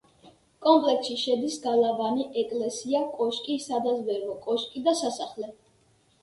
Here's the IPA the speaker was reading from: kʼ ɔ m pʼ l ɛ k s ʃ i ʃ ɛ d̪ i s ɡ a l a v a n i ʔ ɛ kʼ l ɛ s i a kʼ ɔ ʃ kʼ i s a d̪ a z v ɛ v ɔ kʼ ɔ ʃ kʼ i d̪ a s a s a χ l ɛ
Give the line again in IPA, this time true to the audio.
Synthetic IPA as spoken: kʼ ɔ m pʼ l ɛ k s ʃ i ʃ ɛ d̪ i s ɡ a l a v a n i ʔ ɛ kʼ l ɛ s i a kʼ ɔ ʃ kʼ i s a d̪ a z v ɛ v ɔ kʼ ɔ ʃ kʼ i d̪ a s a s a χ l ɛ